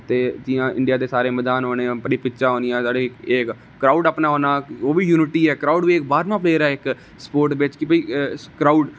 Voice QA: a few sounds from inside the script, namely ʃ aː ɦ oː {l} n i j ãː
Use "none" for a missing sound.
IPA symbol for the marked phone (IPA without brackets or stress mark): none